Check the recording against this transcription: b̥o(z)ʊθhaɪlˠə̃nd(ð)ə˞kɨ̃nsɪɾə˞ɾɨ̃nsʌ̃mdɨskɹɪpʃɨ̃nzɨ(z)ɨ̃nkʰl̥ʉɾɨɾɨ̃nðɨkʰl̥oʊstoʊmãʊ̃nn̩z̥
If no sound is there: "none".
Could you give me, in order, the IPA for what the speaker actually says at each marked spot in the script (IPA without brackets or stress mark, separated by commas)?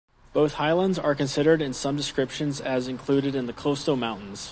none, z, z